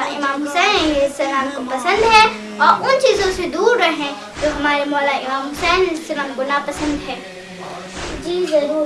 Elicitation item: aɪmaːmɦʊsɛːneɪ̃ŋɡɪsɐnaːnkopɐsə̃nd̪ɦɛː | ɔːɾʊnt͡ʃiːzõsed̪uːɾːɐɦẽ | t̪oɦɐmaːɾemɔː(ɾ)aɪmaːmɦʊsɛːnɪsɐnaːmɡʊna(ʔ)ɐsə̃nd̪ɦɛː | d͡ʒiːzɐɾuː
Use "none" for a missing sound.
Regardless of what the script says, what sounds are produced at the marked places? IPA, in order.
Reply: l, p

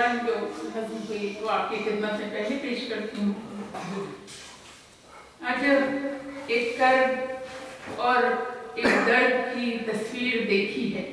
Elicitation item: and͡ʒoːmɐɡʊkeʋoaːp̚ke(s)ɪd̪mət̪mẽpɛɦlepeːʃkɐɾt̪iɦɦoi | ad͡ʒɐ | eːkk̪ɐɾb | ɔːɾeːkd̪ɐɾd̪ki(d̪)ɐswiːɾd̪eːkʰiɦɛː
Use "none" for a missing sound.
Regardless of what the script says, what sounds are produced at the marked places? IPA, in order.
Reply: x, t̪

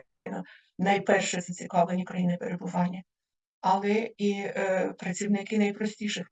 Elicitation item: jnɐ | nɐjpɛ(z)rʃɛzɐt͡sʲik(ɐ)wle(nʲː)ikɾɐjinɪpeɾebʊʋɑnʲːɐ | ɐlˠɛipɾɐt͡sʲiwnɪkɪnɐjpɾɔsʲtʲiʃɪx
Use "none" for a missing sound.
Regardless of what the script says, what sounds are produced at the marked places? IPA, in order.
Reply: none, ɑ, nʲ

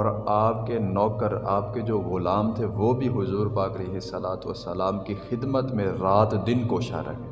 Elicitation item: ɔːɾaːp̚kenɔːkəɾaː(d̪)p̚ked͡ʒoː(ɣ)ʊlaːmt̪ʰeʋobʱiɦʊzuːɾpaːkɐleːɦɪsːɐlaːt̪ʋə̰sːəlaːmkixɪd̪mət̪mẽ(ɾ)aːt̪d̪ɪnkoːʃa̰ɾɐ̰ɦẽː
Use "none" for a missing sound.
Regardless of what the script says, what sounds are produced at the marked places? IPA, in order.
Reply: none, ɣ, ɾ

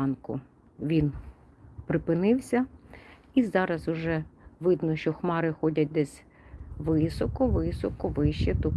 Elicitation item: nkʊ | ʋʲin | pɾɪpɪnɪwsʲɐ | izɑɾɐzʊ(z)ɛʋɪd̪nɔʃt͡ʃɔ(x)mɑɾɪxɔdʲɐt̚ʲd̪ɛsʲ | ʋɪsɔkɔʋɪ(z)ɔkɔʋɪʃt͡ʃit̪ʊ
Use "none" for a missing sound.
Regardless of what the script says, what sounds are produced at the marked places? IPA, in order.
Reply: ʒ, x, s

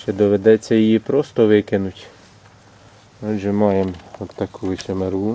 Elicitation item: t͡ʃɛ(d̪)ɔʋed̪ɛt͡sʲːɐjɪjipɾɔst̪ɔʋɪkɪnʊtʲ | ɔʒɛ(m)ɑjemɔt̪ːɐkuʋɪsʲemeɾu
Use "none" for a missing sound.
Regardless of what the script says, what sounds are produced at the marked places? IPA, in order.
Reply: d̪, m

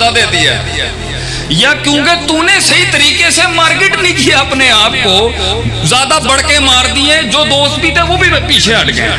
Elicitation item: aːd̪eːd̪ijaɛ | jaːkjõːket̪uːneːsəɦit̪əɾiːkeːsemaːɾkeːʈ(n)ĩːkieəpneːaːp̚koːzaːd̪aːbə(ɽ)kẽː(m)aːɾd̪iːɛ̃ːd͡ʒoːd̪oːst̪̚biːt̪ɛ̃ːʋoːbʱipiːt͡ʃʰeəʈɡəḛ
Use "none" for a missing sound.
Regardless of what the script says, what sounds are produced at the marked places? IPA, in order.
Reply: n, ɽ, m

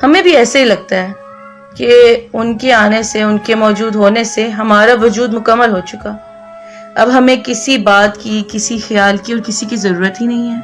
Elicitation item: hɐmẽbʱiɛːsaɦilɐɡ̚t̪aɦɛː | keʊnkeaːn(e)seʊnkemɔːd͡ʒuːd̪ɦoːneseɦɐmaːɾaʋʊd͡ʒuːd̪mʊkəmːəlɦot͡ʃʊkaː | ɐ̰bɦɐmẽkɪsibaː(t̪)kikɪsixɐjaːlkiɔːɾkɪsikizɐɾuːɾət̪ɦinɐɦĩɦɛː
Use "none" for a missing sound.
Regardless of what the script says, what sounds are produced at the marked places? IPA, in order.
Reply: e, t̪

